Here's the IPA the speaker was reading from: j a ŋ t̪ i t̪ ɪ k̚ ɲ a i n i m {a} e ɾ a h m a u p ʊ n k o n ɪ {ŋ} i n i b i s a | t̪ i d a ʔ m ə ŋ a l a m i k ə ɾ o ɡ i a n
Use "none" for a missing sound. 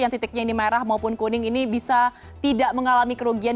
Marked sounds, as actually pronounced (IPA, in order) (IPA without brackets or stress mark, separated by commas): a, ŋ